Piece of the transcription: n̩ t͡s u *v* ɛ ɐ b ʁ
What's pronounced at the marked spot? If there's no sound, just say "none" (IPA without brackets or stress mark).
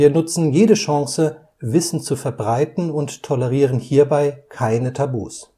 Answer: f